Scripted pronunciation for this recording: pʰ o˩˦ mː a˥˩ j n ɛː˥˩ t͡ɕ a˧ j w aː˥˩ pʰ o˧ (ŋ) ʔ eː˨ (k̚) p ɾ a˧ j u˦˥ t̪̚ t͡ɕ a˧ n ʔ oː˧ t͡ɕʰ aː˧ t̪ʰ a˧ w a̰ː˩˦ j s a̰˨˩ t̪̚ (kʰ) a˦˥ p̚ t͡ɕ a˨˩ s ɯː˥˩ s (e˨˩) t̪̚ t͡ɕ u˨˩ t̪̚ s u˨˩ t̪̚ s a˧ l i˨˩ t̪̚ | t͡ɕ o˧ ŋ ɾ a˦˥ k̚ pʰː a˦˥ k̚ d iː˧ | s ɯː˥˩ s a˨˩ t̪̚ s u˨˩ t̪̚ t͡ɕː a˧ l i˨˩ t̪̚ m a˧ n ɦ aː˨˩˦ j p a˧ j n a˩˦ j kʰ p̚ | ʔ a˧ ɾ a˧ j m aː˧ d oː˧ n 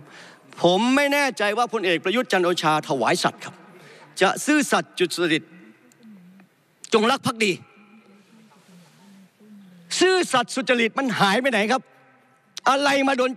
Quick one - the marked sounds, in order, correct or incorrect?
incorrect, correct, correct, incorrect

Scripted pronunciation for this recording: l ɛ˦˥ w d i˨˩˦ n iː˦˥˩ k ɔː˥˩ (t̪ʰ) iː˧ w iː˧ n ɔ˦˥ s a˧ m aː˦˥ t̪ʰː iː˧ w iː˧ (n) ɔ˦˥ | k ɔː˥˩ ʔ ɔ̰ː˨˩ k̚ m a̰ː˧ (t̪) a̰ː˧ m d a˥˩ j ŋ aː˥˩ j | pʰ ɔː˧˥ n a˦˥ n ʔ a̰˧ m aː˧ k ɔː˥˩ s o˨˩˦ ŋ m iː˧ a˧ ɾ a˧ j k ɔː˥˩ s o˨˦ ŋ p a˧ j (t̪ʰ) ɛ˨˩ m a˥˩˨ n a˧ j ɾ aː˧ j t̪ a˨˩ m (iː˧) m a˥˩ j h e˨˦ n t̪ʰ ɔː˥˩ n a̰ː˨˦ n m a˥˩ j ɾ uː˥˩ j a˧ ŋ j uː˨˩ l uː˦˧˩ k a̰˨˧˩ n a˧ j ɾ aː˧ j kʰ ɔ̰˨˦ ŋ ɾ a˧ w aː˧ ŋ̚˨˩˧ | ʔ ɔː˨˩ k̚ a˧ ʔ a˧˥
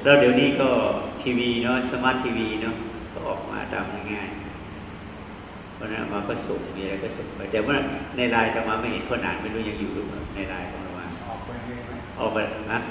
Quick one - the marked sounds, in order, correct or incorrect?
correct, correct, correct, incorrect, incorrect

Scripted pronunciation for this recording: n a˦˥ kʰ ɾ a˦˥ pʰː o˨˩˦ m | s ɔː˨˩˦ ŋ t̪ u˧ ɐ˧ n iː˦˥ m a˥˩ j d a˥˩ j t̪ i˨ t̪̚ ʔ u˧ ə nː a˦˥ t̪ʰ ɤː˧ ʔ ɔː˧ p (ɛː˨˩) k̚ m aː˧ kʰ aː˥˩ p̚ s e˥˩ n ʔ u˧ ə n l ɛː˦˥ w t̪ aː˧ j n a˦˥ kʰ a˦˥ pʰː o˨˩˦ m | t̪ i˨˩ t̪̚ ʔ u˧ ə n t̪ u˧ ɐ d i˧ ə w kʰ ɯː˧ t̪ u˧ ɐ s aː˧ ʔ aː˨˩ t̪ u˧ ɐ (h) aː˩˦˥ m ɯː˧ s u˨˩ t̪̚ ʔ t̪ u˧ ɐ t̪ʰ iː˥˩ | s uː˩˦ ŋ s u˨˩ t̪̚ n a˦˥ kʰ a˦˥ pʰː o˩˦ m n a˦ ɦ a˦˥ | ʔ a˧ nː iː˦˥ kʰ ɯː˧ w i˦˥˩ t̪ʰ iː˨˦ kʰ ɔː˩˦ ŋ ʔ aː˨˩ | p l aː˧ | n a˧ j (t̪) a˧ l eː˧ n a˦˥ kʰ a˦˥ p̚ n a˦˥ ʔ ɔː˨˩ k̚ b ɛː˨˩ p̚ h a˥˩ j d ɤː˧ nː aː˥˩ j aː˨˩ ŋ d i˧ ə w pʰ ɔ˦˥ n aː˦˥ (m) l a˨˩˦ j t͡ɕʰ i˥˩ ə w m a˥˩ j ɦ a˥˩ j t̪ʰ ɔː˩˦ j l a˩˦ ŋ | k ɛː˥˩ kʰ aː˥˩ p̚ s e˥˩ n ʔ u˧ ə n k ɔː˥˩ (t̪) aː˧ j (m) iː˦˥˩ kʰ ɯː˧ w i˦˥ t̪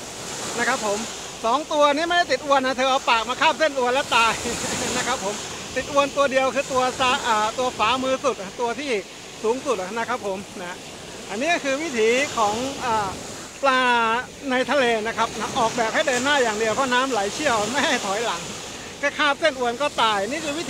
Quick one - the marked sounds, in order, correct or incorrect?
incorrect, incorrect, incorrect, correct, correct, incorrect

